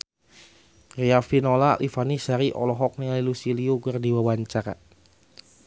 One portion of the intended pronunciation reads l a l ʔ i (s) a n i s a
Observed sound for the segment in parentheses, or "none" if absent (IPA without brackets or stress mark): f